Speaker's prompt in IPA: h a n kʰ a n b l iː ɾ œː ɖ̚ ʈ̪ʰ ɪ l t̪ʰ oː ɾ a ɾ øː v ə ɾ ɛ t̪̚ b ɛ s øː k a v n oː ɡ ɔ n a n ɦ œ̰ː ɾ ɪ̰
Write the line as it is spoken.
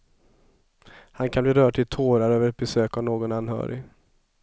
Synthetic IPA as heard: h a n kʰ a n b l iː ɾ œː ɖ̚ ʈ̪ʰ ɪ l t̪ʰ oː ɾ a ɾ øː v ə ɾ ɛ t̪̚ b ɛ s øː k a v n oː ɡ ɔ n a n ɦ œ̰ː ɾ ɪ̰

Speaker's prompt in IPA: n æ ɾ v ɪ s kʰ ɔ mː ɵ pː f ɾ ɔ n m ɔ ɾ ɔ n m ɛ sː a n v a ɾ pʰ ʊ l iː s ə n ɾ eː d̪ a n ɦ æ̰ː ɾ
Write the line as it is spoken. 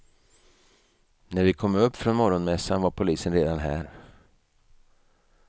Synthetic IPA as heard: n æ ɾ v ɪ kʰ ɔ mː ɵ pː f ɾ ɔ n m ɔ ɾ ɔ n m ɛ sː a n v a ɾ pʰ ʊ l iː s ə n ɾ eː d̪ a n ɦ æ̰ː ɾ

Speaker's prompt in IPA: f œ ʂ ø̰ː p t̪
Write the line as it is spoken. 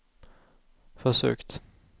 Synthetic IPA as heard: f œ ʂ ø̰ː k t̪

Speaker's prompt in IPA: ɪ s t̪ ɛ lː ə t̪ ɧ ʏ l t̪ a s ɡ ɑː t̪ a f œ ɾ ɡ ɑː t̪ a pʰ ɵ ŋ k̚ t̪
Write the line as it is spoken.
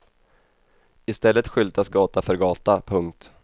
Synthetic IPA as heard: ɪ s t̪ ɛ lː ə t̪ ɧ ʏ l t̪ a s ɡ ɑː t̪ a f œ ɾ ɡ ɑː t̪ a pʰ ɵ ŋ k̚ t̪

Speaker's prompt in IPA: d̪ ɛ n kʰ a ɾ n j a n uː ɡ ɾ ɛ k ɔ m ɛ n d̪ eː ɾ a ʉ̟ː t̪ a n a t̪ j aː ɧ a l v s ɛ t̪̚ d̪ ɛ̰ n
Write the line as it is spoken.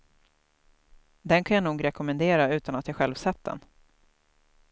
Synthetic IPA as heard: d̪ ɛ n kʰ a n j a n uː ɡ ɾ ɛ k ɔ m ɛ n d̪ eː ɾ a ʉ̟ː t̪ a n a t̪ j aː ɧ ɛ l v s ɛ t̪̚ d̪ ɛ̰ n

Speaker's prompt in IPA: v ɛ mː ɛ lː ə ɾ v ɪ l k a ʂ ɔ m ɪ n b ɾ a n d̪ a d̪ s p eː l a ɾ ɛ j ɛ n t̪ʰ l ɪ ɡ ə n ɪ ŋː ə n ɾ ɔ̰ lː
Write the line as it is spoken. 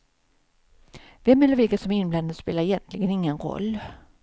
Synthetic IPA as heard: v ɛ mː ɛ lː ə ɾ v ɪ l k a s ɔ m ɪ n b l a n d̪ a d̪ s p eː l a ɾ ɛ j ɛ n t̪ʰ l ɪ ɡ ə n ɪ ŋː ə n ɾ ɔ̰ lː

